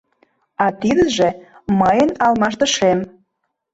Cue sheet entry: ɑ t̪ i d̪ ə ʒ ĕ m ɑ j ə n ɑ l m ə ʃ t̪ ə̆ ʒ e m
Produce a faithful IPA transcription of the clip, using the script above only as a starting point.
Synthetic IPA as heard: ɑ t̪ i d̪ ə ʒ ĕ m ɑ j ə n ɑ l m ɑ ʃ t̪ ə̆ ʃ e m